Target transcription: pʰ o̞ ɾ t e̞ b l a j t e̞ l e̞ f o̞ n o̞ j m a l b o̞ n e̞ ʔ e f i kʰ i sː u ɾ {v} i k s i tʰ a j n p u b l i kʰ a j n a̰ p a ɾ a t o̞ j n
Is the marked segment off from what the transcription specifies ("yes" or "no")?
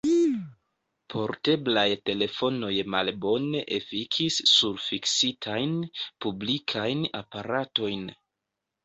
yes